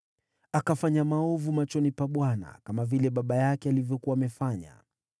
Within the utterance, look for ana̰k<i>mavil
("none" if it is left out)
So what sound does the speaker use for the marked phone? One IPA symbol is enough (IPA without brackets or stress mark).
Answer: a